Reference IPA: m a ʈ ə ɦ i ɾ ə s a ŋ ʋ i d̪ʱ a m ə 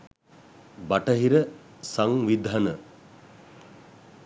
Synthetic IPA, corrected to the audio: b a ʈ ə ɦ i ɾ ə s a ŋ ʋ i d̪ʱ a n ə